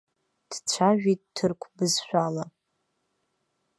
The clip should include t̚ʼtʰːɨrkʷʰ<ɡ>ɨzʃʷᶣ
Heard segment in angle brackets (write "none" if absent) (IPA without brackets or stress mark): b